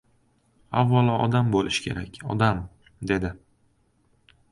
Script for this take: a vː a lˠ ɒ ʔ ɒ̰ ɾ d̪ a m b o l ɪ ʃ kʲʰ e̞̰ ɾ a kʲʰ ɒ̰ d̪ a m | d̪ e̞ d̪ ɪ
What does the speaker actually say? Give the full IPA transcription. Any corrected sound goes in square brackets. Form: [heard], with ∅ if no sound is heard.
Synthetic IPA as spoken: a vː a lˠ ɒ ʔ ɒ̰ [∅] d̪ a m b o l ɪ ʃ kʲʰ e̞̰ ɾ a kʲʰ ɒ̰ d̪ a m | d̪ e̞ d̪ ɪ